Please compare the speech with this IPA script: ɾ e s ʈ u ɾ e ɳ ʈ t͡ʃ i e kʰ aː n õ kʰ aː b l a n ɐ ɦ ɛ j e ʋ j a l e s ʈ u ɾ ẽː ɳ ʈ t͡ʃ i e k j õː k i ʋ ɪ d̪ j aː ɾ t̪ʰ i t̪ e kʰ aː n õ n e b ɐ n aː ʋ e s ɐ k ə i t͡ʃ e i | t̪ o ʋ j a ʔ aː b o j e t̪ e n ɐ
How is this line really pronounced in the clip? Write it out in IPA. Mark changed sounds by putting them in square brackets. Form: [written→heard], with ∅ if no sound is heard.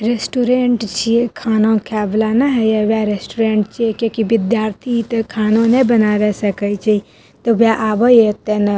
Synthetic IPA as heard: ɾ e s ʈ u ɾ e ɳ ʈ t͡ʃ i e kʰ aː n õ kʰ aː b l a n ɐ ɦ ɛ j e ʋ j a [l→ɾ] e s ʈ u ɾ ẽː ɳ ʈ t͡ʃ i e k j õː k i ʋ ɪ d̪ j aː ɾ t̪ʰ i t̪ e kʰ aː n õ n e b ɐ n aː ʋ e s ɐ k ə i t͡ʃ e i | t̪ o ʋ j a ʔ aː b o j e t̪ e n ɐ